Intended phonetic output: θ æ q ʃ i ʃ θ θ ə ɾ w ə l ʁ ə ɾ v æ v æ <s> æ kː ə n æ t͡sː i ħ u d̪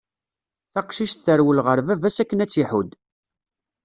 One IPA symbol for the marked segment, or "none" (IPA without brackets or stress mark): s